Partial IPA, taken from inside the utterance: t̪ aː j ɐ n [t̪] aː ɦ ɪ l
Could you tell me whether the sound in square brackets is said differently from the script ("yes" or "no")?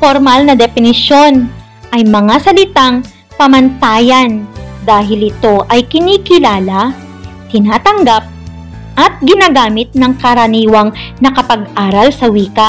yes